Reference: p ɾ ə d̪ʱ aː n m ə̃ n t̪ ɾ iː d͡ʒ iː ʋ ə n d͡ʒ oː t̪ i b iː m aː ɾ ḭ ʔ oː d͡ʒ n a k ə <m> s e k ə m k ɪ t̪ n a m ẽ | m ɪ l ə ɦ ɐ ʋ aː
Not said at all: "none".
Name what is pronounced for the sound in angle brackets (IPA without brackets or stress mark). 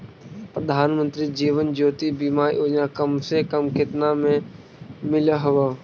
m